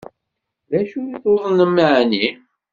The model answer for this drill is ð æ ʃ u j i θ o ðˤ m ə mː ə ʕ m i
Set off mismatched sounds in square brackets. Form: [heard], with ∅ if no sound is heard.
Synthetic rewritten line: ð æ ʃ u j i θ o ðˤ [n] ə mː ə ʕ [n] i